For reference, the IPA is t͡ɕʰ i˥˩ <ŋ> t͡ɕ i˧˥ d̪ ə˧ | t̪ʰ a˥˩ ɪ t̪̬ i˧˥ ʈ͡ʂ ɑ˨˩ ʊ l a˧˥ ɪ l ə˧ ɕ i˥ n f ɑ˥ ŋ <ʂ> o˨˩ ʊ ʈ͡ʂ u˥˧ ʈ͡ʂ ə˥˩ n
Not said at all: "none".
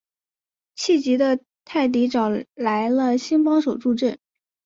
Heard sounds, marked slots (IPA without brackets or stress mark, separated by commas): none, ʂ